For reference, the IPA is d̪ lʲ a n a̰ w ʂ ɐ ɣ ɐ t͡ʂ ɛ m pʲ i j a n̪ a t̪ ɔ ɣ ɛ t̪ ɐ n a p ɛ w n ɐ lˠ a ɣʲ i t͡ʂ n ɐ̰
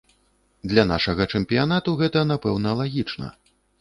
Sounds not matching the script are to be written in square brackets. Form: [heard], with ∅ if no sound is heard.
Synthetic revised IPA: d̪ lʲ a n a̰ [∅] ʂ ɐ ɣ ɐ t͡ʂ ɛ m pʲ i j a n̪ a t̪ [u] ɣ ɛ t̪ ɐ n a p ɛ w n ɐ lˠ a ɣʲ i t͡ʂ n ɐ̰